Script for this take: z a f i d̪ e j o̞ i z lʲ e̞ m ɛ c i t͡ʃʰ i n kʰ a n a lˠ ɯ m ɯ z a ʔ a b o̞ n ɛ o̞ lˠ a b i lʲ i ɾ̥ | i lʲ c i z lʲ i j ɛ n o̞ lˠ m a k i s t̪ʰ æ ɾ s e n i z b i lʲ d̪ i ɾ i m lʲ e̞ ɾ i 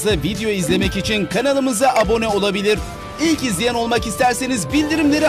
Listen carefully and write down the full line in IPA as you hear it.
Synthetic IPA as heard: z a v i d̪ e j o̞ i z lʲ e̞ m ɛ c i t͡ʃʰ i n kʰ a n a lˠ ɯ m ɯ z a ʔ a b o̞ n ɛ o̞ lˠ a b i lʲ i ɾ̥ | i lʲ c i z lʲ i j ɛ n o̞ lˠ m a k i s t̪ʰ æ ɾ s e n i z b i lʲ d̪ i ɾ i m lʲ e̞ ɾ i